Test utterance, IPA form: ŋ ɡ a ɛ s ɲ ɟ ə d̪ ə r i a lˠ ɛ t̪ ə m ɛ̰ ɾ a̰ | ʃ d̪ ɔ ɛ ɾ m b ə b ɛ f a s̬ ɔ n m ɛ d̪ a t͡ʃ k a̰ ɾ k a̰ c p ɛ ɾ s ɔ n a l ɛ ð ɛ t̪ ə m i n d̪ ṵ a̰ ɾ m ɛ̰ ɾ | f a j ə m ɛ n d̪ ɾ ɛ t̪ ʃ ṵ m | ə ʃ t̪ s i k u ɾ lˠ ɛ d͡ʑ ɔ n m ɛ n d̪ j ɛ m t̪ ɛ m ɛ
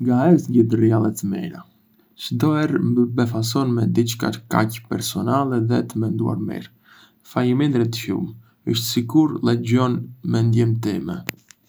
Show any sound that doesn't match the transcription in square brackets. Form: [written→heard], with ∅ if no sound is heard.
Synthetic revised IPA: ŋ ɡ a ɛ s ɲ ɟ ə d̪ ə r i a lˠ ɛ t̪ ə m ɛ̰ ɾ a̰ | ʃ d̪ ɔ ɛ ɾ m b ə b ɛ f a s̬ ɔ n m ɛ d̪ [a→i] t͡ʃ k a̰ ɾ k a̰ c p ɛ ɾ s ɔ n a l ɛ ð ɛ t̪ ə m [i→ɛ] n d̪ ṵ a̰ ɾ m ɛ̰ ɾ | f a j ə m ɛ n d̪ ɾ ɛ t̪ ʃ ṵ m | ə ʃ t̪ s i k u ɾ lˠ ɛ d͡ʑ ɔ n m ɛ n d̪ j ɛ m t̪ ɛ m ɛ